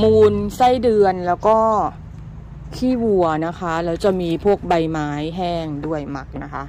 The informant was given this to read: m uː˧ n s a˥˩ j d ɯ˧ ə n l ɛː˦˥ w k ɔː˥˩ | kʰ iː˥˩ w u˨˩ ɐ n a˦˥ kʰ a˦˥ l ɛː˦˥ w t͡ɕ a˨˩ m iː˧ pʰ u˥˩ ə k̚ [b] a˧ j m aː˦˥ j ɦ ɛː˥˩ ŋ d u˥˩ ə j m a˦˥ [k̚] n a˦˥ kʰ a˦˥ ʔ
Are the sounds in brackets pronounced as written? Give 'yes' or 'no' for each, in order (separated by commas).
yes, yes